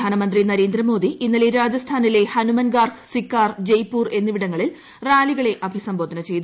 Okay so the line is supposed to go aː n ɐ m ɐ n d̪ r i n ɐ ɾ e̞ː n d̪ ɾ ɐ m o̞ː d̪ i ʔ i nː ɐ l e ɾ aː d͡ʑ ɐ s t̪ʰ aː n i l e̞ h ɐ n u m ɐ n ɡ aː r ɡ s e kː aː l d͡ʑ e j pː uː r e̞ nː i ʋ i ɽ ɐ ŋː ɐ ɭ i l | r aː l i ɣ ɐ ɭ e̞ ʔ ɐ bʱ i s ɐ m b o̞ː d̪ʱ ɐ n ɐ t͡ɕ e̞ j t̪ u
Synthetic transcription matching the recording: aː n ɐ m ɐ n d̪ r i n ɐ ɾ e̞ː n d̪ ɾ ɐ m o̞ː d̪ i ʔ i nː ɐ l e ɾ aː d͡ʑ ɐ s t̪ʰ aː n i l e̞ h ɐ n u m ɐ n ɡ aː r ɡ s i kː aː r d͡ʑ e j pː uː r e̞ nː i ʋ i ɽ ɐ ŋː ɐ ɭ i l | r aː l i ɣ ɐ ɭ e̞ ʔ ɐ bʱ i s ɐ m b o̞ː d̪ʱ ɐ n ɐ t͡ɕ e̞ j t̪ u